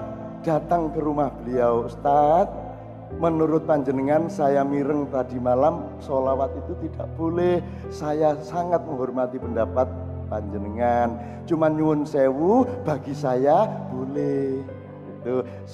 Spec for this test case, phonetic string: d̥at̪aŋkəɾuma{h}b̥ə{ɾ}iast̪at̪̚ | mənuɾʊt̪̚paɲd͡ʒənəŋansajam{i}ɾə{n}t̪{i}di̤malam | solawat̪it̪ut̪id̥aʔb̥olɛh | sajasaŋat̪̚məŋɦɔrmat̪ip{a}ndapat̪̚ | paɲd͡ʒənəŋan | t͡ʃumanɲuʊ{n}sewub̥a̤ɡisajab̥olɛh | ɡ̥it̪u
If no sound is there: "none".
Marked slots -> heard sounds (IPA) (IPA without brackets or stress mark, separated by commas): h, l, i, ŋ, a, ə, n